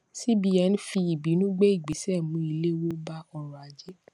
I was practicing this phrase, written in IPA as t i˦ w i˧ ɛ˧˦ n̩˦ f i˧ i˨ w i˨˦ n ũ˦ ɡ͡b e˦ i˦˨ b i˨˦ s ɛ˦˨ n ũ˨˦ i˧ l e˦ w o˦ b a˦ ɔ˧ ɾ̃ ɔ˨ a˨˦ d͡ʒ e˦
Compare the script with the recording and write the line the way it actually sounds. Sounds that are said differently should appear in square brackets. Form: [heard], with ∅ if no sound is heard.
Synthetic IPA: [s] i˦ [b] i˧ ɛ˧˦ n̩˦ f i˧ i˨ [b] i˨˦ n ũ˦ ɡ͡b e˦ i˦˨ [ɡ͡b] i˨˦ s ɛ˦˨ [m] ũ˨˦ i˧ l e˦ w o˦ b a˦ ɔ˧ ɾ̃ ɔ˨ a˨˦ d͡ʒ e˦